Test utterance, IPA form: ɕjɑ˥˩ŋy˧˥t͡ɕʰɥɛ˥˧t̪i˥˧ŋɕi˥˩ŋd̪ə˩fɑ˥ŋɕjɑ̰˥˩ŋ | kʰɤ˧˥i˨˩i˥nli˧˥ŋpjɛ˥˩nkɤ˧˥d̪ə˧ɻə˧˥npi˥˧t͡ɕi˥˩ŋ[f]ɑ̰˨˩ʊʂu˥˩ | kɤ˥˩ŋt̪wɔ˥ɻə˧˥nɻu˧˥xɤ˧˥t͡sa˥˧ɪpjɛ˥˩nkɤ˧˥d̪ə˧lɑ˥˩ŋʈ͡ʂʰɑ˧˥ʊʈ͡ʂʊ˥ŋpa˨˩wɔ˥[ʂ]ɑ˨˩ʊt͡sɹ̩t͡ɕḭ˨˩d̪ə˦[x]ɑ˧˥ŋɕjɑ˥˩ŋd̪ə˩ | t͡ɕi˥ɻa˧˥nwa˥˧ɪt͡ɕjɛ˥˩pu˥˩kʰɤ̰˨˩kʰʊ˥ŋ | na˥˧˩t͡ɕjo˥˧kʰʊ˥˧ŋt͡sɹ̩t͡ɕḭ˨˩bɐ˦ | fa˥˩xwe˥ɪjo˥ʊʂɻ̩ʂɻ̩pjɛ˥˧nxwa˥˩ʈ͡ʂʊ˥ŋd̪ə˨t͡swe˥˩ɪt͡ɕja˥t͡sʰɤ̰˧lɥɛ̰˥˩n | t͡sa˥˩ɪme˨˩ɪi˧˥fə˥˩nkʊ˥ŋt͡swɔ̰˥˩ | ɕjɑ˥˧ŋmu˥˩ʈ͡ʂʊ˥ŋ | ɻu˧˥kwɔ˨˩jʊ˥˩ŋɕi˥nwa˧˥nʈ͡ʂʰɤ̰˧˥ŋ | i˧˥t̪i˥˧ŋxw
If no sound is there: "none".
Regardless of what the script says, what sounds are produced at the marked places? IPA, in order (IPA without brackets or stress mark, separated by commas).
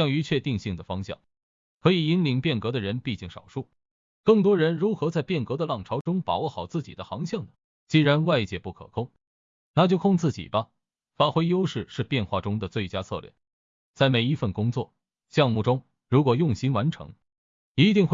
ʂ, x, x